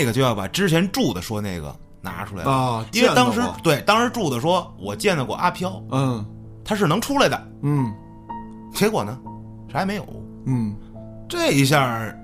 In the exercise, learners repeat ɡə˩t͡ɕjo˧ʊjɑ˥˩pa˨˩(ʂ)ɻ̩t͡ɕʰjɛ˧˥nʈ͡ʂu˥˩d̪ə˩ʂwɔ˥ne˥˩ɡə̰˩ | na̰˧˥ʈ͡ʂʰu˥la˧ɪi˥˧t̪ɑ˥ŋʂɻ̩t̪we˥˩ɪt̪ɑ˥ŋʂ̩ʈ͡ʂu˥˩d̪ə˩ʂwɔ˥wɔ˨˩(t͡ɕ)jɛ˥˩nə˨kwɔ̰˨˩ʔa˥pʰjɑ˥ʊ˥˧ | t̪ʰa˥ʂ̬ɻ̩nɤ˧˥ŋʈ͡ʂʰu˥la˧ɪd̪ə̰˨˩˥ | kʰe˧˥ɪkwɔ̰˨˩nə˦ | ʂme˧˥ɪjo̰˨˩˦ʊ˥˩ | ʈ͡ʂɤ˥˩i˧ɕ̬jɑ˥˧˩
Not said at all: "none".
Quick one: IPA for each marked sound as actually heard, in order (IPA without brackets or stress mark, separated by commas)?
ʈ͡ʂ, t͡ɕ